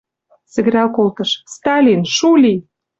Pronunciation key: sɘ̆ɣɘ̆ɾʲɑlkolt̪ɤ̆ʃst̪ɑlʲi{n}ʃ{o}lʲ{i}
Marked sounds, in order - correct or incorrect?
correct, incorrect: u, correct

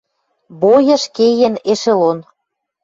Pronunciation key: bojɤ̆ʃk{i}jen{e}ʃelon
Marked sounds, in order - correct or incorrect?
incorrect: e, correct

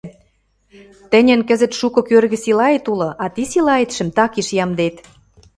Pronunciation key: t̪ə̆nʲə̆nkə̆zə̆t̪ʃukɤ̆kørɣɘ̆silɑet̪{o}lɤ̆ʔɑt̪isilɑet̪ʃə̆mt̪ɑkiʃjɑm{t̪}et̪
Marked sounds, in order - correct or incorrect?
incorrect: u, incorrect: d̪

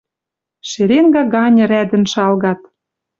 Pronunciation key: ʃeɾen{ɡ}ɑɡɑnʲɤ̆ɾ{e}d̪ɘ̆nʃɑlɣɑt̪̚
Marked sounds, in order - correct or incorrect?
correct, incorrect: æ

